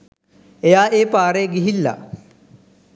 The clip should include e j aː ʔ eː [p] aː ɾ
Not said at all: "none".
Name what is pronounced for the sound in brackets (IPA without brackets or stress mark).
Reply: p